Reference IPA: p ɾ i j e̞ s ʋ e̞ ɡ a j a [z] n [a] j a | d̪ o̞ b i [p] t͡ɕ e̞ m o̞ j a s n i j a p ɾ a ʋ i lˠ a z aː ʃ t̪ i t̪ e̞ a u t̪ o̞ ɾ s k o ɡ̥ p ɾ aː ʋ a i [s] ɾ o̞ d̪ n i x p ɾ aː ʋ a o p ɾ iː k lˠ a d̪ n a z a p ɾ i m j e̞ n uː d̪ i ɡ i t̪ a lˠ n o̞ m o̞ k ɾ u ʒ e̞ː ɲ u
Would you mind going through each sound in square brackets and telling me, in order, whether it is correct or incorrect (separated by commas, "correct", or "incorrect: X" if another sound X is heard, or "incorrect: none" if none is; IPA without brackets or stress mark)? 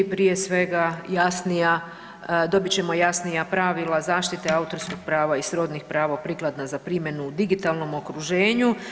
incorrect: s, incorrect: i, incorrect: none, correct